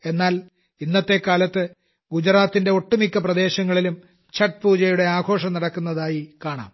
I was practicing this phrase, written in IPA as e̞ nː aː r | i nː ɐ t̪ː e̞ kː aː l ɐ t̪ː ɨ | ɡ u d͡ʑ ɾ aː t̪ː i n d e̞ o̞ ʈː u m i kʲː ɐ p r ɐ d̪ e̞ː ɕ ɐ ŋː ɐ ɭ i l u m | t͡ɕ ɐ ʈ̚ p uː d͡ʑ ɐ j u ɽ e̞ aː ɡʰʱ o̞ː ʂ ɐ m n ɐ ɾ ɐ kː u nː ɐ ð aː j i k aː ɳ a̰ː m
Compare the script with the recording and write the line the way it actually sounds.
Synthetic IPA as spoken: e̞ nː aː l | i nː ɐ t̪ː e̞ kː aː l ɐ t̪ː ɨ | ɡ u d͡ʑ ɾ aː t̪ː i n d e̞ o̞ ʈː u m i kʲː ɐ p r ɐ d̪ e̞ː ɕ ɐ ŋː ɐ ɭ i l u m | t͡ɕ ɐ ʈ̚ p uː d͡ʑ ɐ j u ɽ e̞ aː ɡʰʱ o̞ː ʂ ɐ m n ɐ ɽ ɐ kː u nː ɐ ð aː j i k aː ɳ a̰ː m